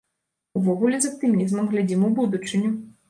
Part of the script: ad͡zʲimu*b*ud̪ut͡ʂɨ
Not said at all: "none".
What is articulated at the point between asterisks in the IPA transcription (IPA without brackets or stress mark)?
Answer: b